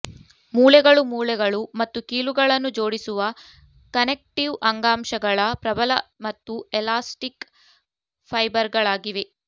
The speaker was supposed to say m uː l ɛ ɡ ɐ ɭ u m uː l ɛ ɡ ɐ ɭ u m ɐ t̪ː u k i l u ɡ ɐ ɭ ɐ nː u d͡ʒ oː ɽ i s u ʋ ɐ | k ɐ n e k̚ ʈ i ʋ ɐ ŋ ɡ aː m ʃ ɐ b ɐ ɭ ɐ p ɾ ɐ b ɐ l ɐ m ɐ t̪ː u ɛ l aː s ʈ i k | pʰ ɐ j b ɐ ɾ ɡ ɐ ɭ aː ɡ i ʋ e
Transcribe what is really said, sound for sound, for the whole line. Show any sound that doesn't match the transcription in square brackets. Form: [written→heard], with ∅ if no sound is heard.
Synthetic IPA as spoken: m uː l ɛ ɡ ɐ ɭ u m uː l ɛ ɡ ɐ ɭ u m ɐ t̪ː u k [i→iː] l u ɡ ɐ ɭ ɐ nː u d͡ʒ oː ɽ i s u ʋ ɐ | k ɐ n e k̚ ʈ i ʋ ɐ ŋ ɡ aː m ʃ ɐ [b→ɡ] ɐ ɭ ɐ p ɾ ɐ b ɐ l ɐ m ɐ t̪ː u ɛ l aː s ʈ i k | pʰ ɐ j b ɐ ɾ ɡ ɐ ɭ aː ɡ i ʋ e